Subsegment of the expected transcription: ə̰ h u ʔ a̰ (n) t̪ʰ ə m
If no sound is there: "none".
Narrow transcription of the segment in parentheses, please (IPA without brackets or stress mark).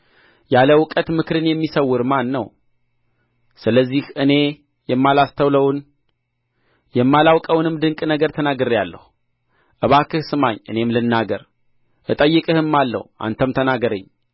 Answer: n